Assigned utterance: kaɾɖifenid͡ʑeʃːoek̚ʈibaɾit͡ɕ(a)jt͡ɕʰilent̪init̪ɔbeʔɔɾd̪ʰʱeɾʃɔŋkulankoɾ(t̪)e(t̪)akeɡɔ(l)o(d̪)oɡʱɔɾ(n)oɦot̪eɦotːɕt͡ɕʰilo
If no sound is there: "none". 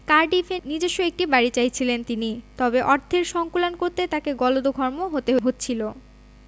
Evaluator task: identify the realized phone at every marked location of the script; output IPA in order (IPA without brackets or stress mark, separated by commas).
a, t̪, t̪, l, d̪, m